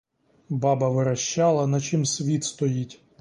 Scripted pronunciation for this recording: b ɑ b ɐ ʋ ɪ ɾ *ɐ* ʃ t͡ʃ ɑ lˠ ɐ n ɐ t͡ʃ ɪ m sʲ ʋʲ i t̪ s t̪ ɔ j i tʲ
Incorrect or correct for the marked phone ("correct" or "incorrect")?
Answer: correct